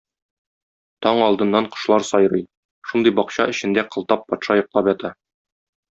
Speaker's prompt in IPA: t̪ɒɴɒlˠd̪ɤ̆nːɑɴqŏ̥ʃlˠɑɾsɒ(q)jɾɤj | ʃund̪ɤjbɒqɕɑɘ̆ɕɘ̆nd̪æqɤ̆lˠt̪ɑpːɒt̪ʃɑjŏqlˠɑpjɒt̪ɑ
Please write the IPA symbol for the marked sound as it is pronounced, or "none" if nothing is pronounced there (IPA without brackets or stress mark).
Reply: none